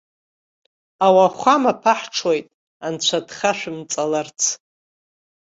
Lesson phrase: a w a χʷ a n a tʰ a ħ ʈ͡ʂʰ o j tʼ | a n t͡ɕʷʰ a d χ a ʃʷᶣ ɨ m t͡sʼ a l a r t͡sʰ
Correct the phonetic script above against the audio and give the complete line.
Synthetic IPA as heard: a w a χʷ a m a pʰ a ħ ʈ͡ʂʰ o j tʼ | a n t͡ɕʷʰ a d χ a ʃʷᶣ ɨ m t͡sʼ a l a r t͡sʰ